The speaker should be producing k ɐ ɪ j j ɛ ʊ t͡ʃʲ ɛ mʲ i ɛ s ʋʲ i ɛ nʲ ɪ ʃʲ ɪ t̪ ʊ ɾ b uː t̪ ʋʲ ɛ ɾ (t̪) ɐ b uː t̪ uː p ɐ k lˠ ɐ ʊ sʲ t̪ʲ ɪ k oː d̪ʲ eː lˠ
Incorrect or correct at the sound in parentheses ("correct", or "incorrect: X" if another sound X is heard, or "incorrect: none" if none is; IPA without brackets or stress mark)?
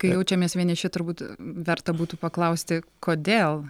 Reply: correct